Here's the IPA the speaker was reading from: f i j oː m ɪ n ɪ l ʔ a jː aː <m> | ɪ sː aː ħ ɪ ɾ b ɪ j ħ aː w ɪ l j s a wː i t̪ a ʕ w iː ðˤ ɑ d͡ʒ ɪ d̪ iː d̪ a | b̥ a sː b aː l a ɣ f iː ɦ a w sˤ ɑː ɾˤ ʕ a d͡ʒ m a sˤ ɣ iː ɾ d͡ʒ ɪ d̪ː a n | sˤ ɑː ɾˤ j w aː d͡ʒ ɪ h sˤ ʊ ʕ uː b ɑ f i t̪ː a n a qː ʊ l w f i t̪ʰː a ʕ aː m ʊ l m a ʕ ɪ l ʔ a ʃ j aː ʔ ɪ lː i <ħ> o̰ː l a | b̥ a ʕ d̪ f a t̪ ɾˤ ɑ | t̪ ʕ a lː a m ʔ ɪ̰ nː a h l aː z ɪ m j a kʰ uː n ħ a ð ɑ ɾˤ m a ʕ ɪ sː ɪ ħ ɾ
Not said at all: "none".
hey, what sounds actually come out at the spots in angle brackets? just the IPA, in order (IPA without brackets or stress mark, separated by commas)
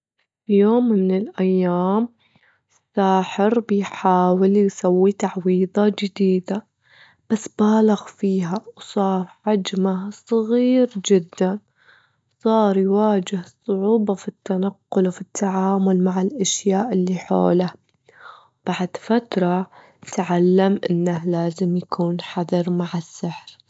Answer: m, ħ